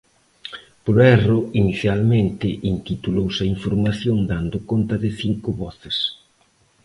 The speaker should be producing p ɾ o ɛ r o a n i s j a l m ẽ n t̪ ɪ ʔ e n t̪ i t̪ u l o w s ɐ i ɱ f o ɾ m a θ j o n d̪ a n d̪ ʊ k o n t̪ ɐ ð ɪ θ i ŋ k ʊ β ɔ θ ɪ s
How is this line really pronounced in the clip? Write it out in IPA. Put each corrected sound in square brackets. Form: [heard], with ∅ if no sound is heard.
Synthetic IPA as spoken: p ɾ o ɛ r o [i] n i [θ] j a l m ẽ n t̪ ɪ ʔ [i] n t̪ i t̪ u l o w s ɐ i ɱ f o ɾ m a θ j o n d̪ a n d̪ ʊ k o n t̪ ɐ ð ɪ θ i ŋ k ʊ β ɔ θ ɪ s